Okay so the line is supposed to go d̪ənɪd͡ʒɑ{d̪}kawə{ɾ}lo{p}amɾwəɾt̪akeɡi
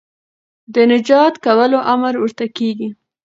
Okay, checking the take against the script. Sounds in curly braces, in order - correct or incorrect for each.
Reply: incorrect, incorrect, incorrect

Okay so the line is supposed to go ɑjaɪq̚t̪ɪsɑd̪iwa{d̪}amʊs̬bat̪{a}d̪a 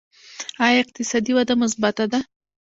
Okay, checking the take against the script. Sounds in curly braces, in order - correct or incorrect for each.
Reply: correct, correct

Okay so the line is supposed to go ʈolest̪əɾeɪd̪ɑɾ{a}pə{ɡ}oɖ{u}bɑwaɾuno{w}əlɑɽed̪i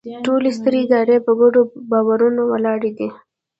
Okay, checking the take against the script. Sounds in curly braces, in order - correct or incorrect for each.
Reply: incorrect, correct, incorrect, correct

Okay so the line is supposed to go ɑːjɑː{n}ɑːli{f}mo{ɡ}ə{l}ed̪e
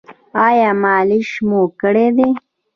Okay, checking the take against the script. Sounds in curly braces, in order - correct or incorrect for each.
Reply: incorrect, incorrect, incorrect, incorrect

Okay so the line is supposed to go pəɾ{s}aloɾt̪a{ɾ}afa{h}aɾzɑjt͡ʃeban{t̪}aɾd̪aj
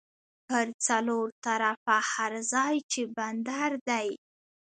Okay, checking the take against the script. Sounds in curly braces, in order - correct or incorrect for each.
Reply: incorrect, correct, correct, incorrect

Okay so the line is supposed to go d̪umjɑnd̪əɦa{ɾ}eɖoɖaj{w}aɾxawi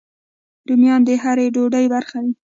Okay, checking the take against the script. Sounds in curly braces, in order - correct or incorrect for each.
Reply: correct, incorrect

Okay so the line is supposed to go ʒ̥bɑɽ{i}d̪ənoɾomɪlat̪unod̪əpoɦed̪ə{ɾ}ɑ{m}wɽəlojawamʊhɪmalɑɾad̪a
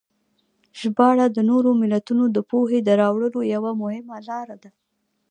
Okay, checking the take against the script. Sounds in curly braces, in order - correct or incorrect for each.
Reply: incorrect, correct, incorrect

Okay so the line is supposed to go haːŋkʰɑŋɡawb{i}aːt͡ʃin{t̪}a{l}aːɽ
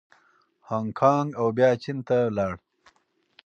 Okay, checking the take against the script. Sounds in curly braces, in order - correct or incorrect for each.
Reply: incorrect, correct, correct

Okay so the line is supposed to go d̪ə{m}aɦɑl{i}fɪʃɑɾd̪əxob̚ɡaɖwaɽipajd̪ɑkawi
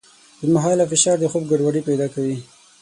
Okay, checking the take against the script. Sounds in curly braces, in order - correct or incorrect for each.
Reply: correct, incorrect

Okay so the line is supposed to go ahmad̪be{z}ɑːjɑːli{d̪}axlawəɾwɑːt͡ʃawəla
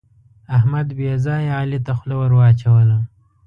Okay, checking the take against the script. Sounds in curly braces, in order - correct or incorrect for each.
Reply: correct, incorrect

